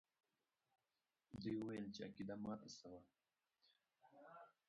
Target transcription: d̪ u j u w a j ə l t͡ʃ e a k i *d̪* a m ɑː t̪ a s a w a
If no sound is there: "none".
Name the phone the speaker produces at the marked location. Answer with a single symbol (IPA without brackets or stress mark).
d̪